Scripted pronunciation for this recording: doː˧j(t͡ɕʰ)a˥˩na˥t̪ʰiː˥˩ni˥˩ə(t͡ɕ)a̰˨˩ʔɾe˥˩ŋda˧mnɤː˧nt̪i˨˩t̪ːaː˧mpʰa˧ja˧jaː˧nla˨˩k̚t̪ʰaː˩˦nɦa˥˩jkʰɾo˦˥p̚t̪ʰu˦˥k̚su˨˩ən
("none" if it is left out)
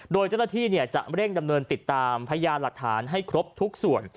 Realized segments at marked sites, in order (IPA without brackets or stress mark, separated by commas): t͡ɕ, t͡ɕ